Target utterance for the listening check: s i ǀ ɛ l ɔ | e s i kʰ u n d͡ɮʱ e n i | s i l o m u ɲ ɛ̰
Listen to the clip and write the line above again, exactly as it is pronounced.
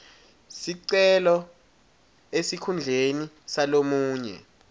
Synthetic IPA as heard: s i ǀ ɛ l ɔ | e s i kʰ u n d͡ɮʱ e n i | s a l o m uː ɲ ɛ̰

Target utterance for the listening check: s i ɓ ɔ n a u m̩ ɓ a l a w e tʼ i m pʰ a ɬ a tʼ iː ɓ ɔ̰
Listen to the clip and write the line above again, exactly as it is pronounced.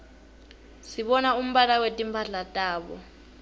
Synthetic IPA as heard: s i ɓ ɔ n a u m̩ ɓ a l a w e tʼ i m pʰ a ɬ a tʼ aː ɓ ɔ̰

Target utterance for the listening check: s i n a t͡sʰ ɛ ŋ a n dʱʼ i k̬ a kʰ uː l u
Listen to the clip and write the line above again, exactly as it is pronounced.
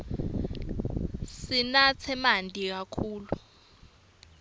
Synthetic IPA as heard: s i n a t͡sʰ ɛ m a n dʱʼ i k̬ a kʰ uː l u

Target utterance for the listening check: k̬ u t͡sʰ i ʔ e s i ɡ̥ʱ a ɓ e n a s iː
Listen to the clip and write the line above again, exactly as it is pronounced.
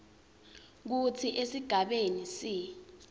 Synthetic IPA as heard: k̬ u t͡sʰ i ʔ e s i ɡ̥ʱ a ɓ e n i s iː

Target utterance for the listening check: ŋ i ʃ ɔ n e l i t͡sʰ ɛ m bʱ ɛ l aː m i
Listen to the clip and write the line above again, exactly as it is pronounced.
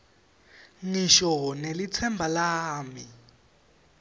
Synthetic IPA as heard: ŋ i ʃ ɔ n e l i t͡sʰ ɛ m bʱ a l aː m i

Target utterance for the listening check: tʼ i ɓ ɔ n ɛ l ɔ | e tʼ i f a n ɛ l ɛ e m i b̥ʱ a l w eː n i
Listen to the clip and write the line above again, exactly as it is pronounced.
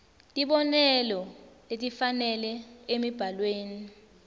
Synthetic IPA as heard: tʼ i ɓ ɔ n ɛ l ɔ | e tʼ i f a n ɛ l ɛ e m i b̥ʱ a l w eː n i

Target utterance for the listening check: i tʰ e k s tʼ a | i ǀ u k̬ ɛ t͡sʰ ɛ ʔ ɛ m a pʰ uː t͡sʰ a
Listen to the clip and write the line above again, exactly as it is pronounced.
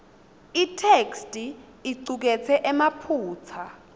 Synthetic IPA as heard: i tʰ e k s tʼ i | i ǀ u k̬ ɛ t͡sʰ ɛ ʔ ɛ m a pʰ uː t͡sʰ a

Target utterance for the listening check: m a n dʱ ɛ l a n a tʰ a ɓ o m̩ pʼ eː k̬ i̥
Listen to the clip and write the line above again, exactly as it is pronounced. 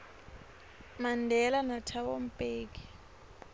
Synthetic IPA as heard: m a n dʱ ɛ l a n a tʰ a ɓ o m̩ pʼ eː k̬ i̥

